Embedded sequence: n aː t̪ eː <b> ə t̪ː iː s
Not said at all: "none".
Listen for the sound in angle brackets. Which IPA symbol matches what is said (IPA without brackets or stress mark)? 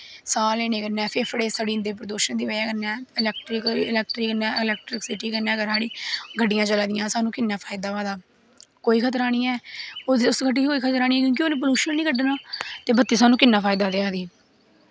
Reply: b